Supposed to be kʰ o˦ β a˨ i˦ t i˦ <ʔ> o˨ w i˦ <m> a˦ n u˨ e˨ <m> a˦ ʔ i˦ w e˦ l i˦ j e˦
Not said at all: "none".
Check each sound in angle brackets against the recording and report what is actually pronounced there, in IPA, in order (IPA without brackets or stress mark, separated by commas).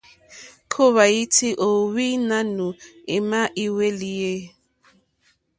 ʔ, n, m